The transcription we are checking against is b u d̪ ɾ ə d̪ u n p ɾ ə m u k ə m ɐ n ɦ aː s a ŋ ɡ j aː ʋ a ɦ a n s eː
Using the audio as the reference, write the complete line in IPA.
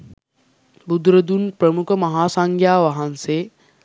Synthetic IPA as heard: b u d̪ ɾ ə d̪ u n p ɾ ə m u k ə m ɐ ɦ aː s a ŋ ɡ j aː ʋ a ɦ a n s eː